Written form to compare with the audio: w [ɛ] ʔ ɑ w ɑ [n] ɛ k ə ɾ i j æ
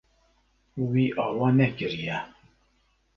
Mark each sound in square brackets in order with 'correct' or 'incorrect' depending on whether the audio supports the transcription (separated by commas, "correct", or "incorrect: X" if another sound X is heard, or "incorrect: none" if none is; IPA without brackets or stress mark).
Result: incorrect: i, correct